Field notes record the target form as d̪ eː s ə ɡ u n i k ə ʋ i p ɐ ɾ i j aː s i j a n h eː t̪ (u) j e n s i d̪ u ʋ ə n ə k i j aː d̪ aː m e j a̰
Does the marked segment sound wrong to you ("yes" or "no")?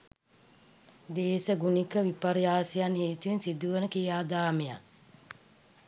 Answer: no